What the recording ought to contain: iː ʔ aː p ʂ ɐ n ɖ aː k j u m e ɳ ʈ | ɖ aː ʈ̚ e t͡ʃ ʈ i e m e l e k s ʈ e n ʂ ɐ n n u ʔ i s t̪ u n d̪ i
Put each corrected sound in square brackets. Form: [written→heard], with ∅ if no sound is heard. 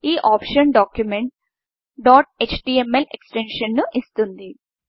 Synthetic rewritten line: iː ʔ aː p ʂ ɐ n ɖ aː k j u m e ɳ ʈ | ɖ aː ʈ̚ e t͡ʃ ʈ i e m e l e k s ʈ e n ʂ ɐ n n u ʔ i s t̪ u n d̪ i